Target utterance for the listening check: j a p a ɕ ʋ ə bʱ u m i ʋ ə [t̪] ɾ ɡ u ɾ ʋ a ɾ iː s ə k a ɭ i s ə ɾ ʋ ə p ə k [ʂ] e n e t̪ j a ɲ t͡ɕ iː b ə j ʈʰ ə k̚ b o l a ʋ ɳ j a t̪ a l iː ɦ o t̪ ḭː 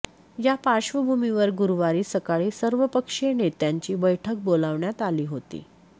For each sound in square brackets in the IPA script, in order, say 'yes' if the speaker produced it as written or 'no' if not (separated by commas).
no, yes